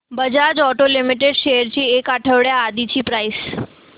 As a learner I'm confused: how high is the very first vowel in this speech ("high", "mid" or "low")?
mid